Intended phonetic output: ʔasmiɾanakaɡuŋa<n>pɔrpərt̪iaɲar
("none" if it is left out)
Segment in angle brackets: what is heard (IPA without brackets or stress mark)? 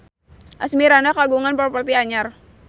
n